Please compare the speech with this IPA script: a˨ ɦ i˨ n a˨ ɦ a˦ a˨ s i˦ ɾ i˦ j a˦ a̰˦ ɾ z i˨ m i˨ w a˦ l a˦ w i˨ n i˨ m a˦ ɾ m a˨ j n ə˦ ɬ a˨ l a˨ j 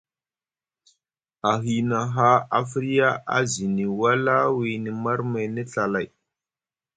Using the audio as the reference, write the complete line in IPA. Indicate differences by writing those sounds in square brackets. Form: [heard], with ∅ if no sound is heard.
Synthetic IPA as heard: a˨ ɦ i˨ n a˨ ɦ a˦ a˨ [f] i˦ ɾ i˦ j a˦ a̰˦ [∅] z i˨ [n] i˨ w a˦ l a˦ w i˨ n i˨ m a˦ ɾ m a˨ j n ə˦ ɬ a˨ l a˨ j